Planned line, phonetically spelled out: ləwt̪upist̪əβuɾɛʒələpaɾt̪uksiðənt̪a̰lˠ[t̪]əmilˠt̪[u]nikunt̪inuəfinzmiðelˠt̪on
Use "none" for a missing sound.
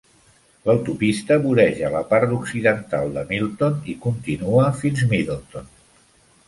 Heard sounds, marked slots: d̪, o

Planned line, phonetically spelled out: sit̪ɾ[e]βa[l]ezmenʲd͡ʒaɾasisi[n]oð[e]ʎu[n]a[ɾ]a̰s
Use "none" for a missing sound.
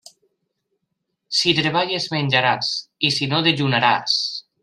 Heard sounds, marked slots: e, ʎ, n, e, n, ɾ

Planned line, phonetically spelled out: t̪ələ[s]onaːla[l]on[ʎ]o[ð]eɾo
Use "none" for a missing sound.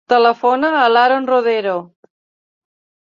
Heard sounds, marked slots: f, ɾ, r, ð

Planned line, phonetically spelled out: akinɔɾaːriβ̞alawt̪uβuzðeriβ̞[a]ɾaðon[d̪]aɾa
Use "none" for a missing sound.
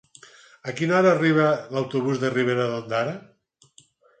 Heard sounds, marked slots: e, d̪

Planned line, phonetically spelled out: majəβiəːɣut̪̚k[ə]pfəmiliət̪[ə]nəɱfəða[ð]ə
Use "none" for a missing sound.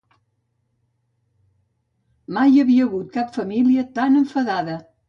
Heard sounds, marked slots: a, a, ð

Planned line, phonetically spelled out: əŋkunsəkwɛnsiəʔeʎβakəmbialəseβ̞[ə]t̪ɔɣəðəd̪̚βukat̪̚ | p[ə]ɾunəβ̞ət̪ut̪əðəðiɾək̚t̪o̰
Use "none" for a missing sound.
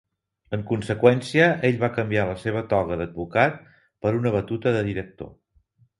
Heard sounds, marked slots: ə, ə

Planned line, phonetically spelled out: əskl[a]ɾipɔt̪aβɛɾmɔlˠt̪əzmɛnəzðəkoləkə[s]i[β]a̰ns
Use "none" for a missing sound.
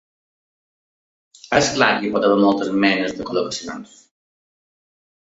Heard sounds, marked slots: a, s, none

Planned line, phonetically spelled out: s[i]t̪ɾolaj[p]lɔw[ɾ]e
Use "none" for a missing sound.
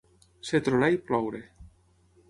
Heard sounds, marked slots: e, p, ɾ

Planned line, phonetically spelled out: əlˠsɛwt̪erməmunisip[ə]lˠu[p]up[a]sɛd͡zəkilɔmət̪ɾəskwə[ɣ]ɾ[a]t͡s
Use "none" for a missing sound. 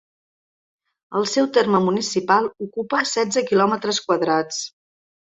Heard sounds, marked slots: a, k, ə, ð, a

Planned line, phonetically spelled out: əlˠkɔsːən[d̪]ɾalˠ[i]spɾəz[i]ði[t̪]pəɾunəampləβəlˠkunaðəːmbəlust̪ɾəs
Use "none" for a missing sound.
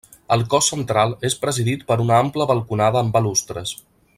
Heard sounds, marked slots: t̪, e, i, t̪

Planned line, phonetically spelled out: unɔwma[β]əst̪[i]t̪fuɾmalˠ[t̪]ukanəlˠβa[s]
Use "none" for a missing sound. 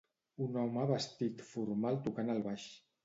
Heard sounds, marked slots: β, i, t̪, ʃ

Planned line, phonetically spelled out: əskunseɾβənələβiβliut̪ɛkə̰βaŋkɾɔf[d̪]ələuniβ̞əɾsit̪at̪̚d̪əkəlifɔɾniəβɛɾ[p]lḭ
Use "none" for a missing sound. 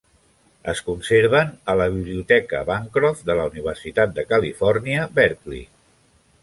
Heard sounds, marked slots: d̪, k

